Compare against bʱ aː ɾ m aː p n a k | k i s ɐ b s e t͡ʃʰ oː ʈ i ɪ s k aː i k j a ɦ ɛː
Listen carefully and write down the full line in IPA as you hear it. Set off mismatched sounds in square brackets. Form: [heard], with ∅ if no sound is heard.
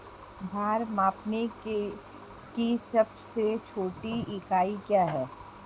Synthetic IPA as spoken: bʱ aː ɾ m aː p n [e] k | k i s ɐ b s e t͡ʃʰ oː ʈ i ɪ [∅] k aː i k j a ɦ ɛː